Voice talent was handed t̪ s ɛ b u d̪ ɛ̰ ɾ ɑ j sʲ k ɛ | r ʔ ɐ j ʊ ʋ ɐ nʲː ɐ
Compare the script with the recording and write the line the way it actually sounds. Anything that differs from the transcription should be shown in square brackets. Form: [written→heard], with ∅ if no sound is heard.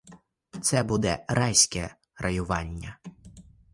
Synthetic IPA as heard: t̪ s ɛ b u d̪ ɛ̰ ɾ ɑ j sʲ k ɛ | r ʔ ɐ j ʊ ʋ [ɐ→ɑ] nʲː ɐ